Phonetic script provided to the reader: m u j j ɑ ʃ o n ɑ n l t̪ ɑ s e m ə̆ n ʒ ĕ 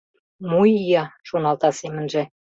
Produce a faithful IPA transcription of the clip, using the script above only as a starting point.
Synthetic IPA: m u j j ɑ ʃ o n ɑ l t̪ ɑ s e m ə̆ n ʒ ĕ